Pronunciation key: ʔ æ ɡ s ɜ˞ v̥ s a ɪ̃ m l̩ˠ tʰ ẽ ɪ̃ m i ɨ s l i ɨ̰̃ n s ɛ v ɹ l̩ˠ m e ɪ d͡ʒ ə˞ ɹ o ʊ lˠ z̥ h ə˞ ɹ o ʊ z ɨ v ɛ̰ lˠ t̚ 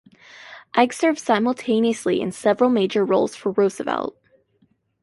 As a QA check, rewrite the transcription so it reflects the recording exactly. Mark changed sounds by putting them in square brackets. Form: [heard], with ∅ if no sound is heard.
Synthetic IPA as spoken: ʔ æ ɡ s ɜ˞ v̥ s a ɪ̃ m l̩ˠ tʰ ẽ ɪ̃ [n] i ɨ s l i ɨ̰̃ n s ɛ v ɹ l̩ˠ m e ɪ d͡ʒ ə˞ ɹ o ʊ lˠ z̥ [f] ə˞ ɹ o ʊ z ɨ v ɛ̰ lˠ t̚